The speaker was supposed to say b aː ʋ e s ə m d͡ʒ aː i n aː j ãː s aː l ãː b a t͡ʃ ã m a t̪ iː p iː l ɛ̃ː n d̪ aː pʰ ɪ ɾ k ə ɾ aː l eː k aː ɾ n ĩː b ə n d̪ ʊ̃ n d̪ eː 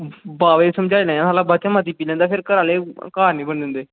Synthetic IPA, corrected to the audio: b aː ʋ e s ə m d͡ʒ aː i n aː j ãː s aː l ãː b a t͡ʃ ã m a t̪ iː p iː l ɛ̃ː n d̪ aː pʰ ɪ ɾ k ə ɾ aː l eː k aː ɾ n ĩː b ə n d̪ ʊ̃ n d̪ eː